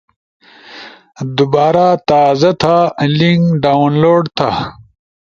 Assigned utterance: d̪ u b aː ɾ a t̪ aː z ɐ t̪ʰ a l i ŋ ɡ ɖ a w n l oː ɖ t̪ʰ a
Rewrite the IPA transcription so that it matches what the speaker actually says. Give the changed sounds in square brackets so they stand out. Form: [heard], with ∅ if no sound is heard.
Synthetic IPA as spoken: d̪ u b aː ɾ a t̪ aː z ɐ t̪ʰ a l i ŋ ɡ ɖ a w n l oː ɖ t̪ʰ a